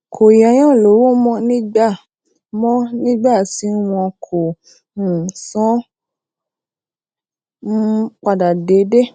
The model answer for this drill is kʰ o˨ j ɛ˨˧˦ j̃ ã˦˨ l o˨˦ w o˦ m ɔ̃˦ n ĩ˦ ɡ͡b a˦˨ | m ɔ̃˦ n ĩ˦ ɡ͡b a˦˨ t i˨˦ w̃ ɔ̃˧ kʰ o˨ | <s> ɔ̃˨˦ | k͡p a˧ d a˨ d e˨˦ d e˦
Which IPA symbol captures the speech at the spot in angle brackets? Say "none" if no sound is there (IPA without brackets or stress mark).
s